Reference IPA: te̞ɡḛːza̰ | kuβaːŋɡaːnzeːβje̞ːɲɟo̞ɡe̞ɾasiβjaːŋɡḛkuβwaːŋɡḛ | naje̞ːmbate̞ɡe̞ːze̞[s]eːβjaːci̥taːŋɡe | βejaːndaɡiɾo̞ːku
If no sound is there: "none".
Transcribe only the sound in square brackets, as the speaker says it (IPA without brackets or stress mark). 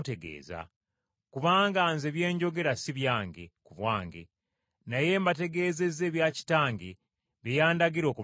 z